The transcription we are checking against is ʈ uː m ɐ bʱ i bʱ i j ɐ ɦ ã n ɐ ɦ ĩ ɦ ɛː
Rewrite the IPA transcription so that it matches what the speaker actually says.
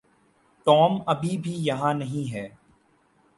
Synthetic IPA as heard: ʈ ɔː m ɐ bʱ i bʱ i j ɐ ɦ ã n ɐ ɦ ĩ ɦ ɛː